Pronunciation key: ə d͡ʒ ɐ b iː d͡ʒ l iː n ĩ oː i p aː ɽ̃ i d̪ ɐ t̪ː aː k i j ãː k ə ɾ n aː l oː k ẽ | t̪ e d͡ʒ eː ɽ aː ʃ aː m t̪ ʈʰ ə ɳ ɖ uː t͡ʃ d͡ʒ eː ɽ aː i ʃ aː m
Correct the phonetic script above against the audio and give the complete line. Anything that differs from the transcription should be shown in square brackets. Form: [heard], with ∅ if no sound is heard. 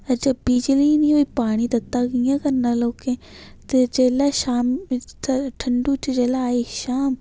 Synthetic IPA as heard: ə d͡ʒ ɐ b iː d͡ʒ l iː n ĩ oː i p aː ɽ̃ i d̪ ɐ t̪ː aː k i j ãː k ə ɾ n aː l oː k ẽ | t̪ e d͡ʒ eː [l] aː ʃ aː m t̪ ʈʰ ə ɳ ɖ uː t͡ʃ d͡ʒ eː [l] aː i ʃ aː m